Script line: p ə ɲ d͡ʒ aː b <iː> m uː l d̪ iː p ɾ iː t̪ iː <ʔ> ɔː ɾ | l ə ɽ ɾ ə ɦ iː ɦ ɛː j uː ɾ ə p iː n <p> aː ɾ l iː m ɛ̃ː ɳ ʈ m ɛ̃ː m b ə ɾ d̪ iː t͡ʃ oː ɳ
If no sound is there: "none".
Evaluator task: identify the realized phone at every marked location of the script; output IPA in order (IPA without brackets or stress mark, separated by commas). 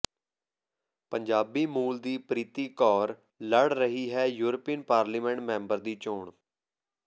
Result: iː, k, p